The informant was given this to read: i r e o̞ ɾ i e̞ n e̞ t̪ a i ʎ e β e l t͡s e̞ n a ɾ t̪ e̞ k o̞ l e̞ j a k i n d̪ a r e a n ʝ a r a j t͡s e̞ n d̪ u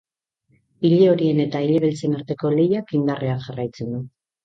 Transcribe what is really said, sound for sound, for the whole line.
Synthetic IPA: i ʎ e o̞ ɾ i e̞ n e̞ t̪ a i ʎ e β e l t͡s e̞ n a ɾ t̪ e̞ k o̞ l e̞ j a k i n d̪ a r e a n ʝ a r a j t͡s e̞ n d̪ u